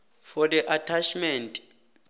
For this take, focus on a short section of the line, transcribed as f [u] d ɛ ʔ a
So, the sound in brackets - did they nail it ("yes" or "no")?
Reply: no